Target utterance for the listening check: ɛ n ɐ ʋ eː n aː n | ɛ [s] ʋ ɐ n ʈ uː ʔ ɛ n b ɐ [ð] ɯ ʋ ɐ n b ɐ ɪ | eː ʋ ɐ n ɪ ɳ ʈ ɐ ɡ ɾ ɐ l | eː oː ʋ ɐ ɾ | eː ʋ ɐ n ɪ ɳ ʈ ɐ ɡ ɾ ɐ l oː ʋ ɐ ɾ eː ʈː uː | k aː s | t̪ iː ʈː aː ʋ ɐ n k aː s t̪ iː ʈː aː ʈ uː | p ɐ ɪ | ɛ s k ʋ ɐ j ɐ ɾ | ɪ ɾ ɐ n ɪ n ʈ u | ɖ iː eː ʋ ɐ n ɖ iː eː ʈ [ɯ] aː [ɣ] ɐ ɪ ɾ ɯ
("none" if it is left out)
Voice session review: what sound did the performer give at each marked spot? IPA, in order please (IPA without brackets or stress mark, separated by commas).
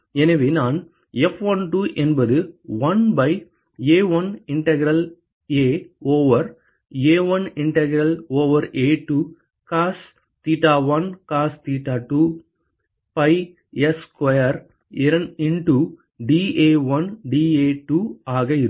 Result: f, ð, u, ɣ